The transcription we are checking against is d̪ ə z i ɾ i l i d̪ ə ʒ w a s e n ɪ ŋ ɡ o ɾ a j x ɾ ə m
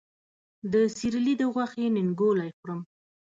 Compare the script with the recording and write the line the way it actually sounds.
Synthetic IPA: d̪ ə s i ɾ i l i d̪ ə ɣ w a x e n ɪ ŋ ɡ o l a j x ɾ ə m